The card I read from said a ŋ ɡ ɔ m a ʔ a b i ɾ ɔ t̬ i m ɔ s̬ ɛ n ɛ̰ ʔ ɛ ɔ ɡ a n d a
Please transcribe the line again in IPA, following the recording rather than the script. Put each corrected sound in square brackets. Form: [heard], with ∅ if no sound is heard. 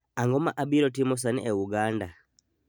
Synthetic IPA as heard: a ŋ ɡ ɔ m a ʔ a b i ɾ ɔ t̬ i m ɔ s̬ [a] n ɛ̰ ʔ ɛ [u] ɡ a n d a